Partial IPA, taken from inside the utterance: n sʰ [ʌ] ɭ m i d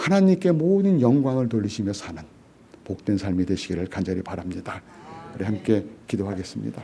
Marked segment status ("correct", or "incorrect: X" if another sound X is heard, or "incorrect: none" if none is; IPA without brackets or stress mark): incorrect: a